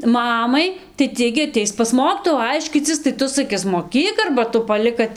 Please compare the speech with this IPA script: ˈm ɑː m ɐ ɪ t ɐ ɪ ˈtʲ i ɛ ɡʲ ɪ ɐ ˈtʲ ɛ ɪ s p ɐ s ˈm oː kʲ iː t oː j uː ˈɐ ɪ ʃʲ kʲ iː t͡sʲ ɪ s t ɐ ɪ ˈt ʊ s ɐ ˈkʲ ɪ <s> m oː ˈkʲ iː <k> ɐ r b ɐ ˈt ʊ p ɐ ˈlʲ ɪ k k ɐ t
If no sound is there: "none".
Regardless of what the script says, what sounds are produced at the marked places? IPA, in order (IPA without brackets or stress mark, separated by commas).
s, k